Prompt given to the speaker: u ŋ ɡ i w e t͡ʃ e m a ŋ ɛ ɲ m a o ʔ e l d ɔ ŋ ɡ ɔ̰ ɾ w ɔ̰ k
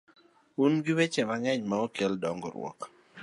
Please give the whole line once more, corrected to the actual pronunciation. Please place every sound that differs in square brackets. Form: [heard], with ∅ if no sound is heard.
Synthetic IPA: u [n] ɡ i w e t͡ʃ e m a ŋ ɛ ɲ m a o [k] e l d ɔ ŋ ɡ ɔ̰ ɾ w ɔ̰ k